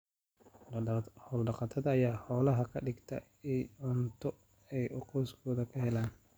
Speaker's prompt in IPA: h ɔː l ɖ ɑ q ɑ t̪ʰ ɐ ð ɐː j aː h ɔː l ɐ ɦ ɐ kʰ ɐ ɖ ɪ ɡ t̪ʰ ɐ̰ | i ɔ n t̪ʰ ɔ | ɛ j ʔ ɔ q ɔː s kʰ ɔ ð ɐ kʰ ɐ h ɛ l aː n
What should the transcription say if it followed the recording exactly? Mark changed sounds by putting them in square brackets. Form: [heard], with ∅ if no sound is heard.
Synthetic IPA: h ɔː l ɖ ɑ q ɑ t̪ʰ ɐ ð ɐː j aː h ɔː l ɐ ɦ ɐ kʰ ɐ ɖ ɪ ɡ t̪ʰ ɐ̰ | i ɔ n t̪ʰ ɔ | ɛ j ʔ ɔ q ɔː s kʰ [ɔː] ð ɐ kʰ ɐ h ɛ l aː n